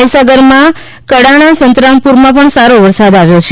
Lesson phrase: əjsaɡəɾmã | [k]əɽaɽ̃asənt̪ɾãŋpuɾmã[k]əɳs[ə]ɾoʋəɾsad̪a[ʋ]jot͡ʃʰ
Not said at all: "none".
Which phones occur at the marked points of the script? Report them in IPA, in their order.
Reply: k, p, a, ʋ

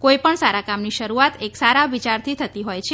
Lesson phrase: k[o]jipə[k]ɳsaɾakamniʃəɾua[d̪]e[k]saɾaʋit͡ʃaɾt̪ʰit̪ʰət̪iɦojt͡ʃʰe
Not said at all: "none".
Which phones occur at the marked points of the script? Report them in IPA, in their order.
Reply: o, none, t̪, k

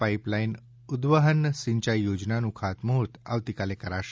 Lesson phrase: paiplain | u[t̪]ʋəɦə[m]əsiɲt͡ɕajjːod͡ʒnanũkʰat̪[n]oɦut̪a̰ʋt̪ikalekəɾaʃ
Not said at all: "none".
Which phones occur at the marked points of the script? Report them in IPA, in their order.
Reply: d̪, n, m

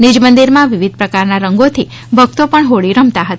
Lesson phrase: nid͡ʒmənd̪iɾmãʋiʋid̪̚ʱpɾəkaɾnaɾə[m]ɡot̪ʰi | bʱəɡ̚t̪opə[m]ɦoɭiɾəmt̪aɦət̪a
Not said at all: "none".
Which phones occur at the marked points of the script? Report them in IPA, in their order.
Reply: ŋ, ɳ

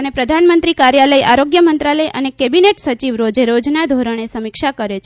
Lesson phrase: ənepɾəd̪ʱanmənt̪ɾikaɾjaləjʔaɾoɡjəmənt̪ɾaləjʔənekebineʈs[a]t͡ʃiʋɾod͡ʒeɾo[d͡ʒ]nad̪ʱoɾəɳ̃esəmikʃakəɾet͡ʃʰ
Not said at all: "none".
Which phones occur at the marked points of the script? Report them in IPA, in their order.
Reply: ə, d͡ʒ

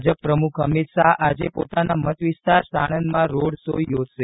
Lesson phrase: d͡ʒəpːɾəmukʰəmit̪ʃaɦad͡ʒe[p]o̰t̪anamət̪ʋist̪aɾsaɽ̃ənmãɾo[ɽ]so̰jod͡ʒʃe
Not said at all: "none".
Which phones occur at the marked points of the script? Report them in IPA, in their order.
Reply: p, ɽ

